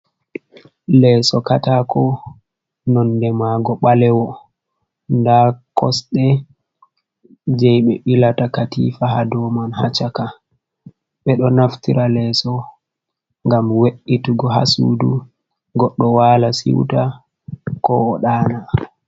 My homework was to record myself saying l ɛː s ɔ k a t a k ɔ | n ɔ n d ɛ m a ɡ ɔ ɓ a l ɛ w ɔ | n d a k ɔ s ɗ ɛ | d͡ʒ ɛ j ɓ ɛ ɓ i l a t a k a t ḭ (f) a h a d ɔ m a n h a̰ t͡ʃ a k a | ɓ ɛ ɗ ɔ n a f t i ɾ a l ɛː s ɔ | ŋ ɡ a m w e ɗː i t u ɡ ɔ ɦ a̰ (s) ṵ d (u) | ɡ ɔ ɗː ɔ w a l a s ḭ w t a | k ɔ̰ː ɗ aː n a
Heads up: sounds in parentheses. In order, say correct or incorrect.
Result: correct, correct, correct

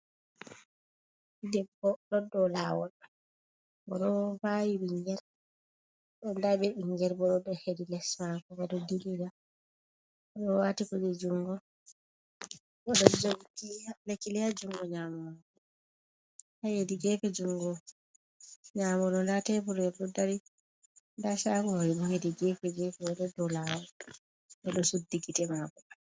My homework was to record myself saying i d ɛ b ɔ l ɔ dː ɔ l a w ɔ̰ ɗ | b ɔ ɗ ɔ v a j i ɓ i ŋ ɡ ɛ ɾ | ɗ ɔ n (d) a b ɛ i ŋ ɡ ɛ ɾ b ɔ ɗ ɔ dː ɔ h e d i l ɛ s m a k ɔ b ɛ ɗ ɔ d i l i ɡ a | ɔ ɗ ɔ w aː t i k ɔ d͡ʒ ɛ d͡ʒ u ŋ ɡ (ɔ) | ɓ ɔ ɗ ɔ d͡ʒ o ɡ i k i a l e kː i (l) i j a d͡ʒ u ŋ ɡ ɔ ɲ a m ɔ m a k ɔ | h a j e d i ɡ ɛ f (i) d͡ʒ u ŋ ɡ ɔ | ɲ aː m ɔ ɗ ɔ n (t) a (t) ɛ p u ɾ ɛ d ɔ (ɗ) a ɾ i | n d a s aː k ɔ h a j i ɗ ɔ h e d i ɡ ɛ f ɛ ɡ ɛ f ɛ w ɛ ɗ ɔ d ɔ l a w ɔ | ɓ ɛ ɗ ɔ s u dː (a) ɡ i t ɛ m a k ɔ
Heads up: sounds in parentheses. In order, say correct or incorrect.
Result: correct, correct, correct, incorrect: ɛ, incorrect: d, correct, incorrect: d, incorrect: i

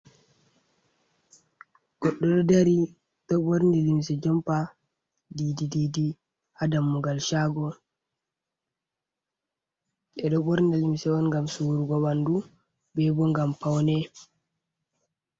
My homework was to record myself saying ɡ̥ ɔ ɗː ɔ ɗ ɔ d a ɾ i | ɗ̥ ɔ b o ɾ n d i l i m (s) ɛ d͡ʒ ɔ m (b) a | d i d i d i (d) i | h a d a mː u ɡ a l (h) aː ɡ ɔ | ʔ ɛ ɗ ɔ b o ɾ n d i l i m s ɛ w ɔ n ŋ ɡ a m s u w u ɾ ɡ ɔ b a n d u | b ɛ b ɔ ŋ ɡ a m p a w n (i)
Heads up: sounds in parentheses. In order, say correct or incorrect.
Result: correct, incorrect: p, correct, incorrect: ʃ, incorrect: ɛ

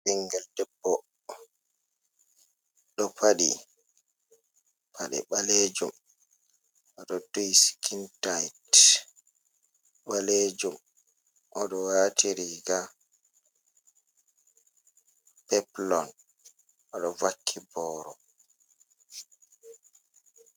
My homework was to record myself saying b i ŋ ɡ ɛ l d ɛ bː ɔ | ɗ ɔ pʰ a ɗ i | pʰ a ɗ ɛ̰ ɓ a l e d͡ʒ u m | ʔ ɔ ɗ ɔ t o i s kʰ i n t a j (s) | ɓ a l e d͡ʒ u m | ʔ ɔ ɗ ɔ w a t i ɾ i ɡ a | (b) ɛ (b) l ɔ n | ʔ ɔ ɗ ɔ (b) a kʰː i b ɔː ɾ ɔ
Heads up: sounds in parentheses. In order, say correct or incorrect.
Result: incorrect: t, incorrect: p, incorrect: p, incorrect: v

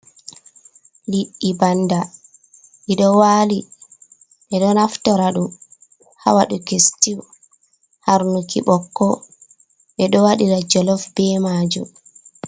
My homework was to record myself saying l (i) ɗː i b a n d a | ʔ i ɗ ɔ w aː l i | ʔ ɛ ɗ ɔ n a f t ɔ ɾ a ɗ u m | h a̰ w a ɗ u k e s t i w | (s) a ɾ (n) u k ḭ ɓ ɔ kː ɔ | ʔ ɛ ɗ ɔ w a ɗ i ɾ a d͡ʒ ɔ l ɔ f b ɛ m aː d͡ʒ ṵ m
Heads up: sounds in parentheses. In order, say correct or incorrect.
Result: correct, incorrect: h, correct

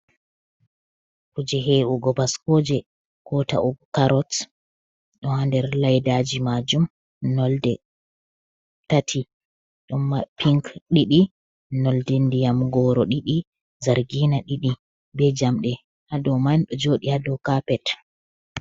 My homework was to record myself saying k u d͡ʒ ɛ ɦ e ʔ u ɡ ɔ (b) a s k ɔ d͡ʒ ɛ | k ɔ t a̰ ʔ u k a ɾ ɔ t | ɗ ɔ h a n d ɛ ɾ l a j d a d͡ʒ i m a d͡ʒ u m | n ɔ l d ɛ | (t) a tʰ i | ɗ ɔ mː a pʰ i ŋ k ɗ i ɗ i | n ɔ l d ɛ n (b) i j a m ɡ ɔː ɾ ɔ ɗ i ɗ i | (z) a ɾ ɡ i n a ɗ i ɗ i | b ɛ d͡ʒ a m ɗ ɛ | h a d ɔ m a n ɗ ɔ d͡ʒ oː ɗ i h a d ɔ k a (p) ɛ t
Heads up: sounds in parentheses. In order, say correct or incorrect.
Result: correct, correct, incorrect: d, correct, correct

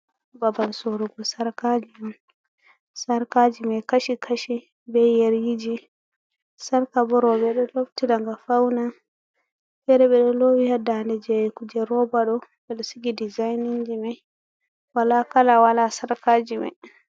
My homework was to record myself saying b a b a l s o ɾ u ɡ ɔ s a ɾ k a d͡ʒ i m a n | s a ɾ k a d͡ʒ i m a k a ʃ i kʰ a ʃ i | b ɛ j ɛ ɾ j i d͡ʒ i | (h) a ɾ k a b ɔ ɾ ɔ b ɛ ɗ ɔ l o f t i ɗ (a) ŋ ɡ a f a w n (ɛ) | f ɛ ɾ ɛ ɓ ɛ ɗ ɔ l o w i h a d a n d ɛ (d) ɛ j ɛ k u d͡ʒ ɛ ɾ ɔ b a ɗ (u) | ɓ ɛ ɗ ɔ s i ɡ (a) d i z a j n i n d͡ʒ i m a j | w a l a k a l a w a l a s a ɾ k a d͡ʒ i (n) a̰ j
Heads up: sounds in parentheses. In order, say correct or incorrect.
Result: incorrect: s, correct, incorrect: a, incorrect: d͡ʒ, incorrect: ɔ, incorrect: i, incorrect: m

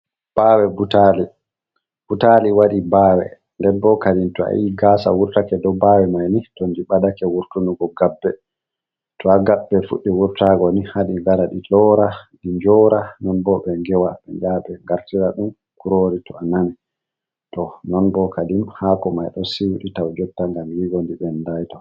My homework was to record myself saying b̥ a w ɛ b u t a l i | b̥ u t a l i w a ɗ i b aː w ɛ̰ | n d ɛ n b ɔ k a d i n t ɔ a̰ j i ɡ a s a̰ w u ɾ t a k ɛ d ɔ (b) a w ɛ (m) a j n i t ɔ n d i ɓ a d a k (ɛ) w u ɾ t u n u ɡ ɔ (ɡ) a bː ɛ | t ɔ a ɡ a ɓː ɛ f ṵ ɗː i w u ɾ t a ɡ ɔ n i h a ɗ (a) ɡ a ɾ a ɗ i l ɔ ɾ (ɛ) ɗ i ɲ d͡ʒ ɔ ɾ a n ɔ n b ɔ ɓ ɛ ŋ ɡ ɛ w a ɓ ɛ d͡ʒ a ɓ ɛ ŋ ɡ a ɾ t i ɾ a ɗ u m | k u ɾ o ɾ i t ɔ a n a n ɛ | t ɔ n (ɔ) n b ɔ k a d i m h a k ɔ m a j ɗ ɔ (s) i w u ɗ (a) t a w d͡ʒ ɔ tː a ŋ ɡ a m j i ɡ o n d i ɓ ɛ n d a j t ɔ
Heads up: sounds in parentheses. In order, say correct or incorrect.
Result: correct, correct, correct, correct, incorrect: i, incorrect: a, correct, correct, incorrect: i

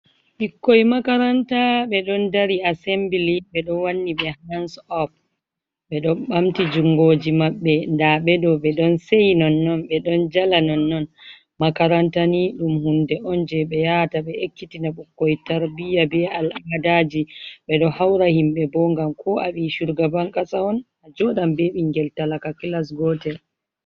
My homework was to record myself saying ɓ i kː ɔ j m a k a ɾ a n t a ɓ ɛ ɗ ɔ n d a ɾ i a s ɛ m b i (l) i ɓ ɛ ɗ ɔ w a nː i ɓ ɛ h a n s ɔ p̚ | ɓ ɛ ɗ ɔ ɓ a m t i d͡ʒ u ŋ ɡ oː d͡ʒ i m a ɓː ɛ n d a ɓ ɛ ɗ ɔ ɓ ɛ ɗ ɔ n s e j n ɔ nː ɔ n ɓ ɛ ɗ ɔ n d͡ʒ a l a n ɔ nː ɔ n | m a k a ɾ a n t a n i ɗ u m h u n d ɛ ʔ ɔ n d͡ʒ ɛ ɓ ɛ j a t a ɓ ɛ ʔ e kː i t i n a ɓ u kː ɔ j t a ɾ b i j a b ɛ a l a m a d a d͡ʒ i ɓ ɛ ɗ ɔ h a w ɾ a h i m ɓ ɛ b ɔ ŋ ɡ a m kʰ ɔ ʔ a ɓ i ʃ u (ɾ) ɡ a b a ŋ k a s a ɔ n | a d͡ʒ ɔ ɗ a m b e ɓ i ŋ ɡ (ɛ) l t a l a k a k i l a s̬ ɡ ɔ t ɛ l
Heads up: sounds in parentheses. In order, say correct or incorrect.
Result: correct, correct, correct

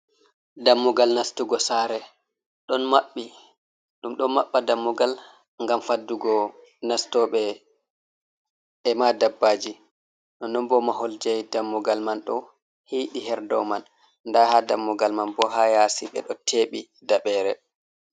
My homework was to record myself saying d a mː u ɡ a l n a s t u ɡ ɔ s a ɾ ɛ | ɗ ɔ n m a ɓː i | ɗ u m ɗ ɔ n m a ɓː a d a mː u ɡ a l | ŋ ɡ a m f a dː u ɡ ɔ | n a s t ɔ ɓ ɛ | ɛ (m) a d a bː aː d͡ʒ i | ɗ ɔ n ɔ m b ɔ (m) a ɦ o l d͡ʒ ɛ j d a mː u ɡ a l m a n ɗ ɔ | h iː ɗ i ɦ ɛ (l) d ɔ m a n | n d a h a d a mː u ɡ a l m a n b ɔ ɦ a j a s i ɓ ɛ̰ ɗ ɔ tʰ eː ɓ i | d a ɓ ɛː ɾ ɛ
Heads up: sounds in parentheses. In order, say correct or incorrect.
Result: correct, correct, incorrect: ɾ

